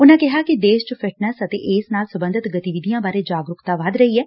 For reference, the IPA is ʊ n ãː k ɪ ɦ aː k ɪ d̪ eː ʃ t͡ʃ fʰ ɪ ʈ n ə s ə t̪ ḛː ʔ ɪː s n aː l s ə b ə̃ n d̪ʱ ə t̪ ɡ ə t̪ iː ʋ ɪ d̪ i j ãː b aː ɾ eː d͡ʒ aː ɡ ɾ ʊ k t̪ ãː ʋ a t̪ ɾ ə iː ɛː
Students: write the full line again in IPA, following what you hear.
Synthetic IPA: ʊ n ãː k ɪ ɦ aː k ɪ d̪ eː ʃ t͡ʃ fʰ ɪ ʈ n ə s ə t̪ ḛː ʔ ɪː s n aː l s ə b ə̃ n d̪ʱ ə t̪ ɡ ə t̪ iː ʋ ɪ d̪ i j ãː b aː ɾ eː d͡ʒ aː ɡ ɾ ʊ k t̪ aː ʋ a d̪ ɾ ə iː ɛː